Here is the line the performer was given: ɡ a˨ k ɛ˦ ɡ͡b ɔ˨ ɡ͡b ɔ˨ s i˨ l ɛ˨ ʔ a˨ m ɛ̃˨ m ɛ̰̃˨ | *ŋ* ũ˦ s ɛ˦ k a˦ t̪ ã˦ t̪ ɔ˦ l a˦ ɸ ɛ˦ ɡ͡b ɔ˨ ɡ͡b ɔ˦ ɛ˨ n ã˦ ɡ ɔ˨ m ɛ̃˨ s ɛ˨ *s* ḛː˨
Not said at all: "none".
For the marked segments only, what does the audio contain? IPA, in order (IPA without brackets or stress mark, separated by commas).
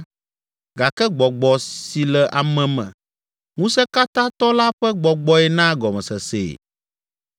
ŋ, s